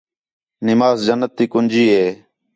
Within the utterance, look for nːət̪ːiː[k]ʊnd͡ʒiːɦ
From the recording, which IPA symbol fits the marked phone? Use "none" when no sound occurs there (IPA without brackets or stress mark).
k